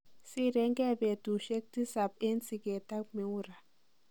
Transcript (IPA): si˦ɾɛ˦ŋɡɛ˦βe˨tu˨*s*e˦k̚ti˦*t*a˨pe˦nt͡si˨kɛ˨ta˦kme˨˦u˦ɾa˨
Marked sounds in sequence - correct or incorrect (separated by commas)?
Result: incorrect, incorrect